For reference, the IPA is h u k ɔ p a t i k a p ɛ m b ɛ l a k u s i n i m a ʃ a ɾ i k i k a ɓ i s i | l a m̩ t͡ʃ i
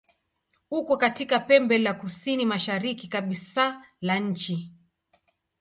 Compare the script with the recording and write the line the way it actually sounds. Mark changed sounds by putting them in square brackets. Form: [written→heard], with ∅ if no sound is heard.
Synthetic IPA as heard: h u k ɔ [p→k] a t i k a p ɛ m b ɛ l a k u s i n i m a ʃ a ɾ i k i k a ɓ i s [i→a] | l a [m̩→ɲ̩] t͡ʃ i